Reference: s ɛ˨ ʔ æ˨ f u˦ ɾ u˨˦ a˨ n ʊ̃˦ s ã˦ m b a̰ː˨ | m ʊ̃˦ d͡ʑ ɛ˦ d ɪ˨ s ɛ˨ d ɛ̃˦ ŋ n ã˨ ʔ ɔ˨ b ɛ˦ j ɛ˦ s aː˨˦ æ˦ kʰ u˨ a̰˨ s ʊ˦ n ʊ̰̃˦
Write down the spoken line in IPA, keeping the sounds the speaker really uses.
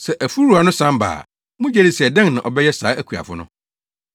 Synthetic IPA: s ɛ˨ ʔ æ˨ f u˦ ɾ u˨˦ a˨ n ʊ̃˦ s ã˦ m b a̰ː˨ | m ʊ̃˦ d͡ʑ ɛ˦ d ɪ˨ s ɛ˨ d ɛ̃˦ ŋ n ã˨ ʔ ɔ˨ b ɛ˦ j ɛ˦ s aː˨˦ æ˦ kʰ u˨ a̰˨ f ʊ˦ n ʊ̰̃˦